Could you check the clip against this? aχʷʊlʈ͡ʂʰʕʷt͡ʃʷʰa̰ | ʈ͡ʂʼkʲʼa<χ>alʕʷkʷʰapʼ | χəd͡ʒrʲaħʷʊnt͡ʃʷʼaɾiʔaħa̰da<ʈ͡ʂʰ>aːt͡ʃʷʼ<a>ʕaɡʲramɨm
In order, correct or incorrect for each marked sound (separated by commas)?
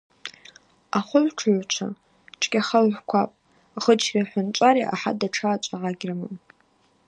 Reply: correct, correct, correct